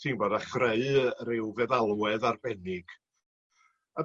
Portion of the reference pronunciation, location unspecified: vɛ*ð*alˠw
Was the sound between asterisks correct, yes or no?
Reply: yes